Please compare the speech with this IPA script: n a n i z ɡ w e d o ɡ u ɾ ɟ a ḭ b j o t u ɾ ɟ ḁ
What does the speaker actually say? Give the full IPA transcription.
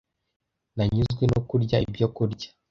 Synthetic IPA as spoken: n a ɲ i z ɡ w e n o k u ɾ ɟ a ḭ b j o k u ɾ ɟ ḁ